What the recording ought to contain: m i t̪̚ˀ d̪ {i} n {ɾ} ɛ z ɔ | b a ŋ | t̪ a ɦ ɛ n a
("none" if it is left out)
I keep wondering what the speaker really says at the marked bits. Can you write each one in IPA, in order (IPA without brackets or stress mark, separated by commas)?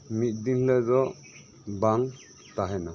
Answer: i, l